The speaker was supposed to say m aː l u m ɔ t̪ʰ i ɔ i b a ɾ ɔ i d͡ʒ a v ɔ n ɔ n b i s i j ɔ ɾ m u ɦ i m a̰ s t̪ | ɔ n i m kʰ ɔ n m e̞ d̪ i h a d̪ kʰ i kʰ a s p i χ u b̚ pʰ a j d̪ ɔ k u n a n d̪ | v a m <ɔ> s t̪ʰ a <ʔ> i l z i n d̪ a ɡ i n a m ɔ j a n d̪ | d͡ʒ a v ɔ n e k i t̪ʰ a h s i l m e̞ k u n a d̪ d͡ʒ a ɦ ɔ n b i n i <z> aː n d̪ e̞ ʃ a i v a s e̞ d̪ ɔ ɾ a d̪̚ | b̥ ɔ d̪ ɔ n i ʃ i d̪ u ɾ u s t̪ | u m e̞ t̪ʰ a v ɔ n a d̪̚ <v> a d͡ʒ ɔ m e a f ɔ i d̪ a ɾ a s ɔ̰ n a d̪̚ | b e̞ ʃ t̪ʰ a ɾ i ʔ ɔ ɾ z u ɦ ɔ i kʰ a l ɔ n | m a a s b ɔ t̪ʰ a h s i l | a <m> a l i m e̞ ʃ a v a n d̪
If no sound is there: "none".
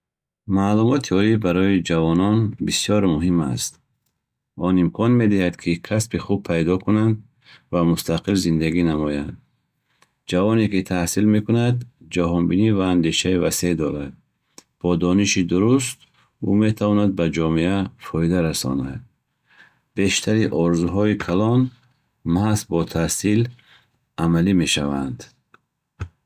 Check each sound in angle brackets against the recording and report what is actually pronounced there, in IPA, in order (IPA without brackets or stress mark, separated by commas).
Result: u, q, v, b, m